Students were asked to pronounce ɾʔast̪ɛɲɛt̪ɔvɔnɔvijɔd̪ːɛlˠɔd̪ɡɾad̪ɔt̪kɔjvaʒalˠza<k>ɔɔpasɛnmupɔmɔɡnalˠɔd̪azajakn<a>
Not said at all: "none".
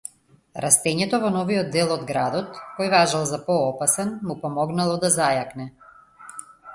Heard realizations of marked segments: p, ɛ

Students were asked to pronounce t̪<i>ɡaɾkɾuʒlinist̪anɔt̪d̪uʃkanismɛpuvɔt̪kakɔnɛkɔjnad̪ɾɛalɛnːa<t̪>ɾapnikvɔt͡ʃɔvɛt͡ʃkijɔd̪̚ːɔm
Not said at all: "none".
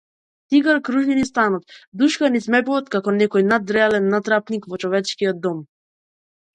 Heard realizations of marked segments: i, t̪

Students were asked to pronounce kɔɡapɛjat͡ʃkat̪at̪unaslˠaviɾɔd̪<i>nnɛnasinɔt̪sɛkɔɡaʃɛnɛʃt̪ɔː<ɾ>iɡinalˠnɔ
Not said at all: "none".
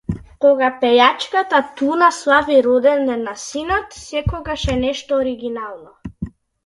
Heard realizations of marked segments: ɛ, ɾ

